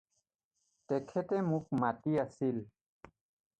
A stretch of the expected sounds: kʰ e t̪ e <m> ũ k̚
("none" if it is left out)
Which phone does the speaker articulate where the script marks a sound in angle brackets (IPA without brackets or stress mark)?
m